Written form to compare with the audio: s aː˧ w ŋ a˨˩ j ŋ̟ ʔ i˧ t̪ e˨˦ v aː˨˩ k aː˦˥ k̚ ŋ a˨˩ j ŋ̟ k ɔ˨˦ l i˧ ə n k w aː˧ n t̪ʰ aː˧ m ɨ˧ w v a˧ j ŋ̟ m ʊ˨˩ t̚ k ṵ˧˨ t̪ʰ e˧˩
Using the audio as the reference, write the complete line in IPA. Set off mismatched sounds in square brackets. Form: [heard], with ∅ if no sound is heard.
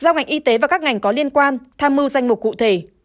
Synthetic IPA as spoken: [z] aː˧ w ŋ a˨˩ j ŋ̟ ʔ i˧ t̪ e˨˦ v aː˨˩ k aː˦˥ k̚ ŋ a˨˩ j ŋ̟ k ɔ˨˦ l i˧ ə n k w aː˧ n t̪ʰ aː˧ m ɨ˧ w [z] a˧ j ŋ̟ m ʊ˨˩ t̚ k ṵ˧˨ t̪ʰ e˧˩